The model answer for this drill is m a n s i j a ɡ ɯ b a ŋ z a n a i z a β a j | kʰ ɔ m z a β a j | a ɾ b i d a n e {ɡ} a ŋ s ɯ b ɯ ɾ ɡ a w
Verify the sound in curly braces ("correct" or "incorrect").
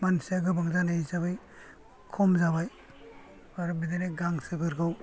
correct